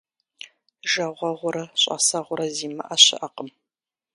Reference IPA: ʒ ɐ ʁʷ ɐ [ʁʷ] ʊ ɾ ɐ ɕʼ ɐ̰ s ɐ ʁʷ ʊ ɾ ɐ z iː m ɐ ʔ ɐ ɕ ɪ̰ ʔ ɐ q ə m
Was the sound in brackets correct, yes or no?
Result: yes